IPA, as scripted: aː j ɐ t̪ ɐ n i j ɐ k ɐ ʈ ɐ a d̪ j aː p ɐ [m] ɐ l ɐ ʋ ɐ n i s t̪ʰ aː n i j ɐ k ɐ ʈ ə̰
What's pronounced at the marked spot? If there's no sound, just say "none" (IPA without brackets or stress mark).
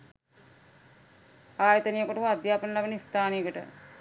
n